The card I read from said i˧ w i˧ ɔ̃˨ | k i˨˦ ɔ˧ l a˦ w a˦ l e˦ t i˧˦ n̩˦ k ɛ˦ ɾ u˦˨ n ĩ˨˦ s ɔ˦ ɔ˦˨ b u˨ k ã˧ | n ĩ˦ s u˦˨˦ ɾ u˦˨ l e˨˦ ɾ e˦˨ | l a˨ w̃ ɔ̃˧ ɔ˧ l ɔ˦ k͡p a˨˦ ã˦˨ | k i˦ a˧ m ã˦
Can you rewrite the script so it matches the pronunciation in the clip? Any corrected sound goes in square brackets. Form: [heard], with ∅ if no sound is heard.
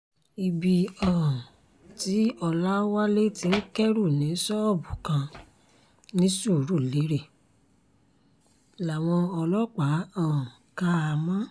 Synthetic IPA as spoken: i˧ [b] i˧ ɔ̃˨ | [t] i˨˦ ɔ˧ l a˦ w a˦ l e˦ t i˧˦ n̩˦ k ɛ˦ ɾ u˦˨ n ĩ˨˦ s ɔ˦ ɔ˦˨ b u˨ k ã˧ | n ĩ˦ s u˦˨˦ ɾ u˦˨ l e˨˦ ɾ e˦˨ | l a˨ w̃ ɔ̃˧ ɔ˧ l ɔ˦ k͡p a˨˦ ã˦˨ | k [a˦] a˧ m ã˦